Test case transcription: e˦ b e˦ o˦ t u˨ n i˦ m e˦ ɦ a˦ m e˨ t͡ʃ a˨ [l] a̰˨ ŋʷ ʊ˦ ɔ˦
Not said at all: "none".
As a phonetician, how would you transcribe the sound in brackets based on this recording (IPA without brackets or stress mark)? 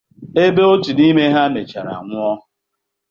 ɾ